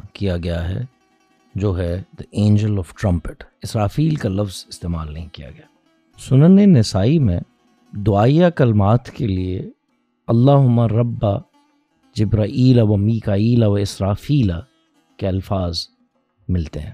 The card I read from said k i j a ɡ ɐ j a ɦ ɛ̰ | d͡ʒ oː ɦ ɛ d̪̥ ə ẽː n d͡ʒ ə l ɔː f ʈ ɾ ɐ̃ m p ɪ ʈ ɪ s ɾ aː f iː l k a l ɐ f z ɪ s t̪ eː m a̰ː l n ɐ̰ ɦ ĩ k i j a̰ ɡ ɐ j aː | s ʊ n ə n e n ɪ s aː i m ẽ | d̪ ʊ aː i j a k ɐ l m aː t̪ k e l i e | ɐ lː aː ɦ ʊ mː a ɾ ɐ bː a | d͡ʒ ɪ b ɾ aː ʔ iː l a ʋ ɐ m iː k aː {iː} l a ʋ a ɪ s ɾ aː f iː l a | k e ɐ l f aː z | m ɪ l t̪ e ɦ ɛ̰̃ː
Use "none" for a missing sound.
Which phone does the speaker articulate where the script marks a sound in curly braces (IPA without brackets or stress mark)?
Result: iː